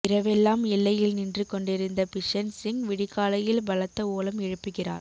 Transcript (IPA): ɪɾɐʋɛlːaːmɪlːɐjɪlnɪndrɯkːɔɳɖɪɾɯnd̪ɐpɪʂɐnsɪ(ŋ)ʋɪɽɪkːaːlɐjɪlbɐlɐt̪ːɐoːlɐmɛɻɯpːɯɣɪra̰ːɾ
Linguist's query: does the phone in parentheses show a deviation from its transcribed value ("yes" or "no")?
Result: no